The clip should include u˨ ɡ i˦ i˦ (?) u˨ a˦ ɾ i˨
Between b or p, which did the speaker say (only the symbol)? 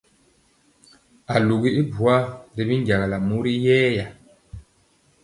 b